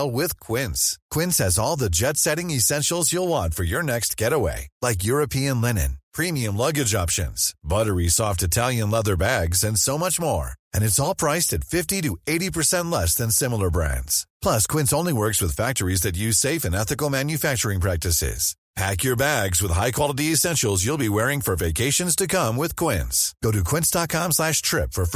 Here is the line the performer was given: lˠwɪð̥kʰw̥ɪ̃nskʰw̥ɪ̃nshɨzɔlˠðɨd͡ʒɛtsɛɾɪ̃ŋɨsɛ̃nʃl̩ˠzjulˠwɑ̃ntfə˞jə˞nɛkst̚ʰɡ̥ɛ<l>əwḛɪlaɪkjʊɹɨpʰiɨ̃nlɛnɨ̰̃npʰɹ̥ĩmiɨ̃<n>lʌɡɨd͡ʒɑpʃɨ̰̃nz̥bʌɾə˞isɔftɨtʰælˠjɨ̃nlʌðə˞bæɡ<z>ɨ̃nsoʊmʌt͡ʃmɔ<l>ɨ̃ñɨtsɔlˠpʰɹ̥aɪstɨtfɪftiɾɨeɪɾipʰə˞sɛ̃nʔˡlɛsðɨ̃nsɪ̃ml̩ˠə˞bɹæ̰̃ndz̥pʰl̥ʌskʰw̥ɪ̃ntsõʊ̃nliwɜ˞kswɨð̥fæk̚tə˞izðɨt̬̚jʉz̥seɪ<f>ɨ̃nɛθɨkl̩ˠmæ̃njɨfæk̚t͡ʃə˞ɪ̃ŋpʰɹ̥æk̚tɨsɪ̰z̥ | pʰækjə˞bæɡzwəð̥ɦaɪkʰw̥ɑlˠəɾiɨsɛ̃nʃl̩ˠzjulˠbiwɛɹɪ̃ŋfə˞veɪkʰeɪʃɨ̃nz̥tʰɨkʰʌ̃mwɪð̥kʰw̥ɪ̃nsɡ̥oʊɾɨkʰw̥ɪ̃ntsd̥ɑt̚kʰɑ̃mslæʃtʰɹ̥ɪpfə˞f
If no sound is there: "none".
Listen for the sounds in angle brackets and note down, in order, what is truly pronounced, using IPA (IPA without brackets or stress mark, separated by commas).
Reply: ɾ, m, z, ɹ, f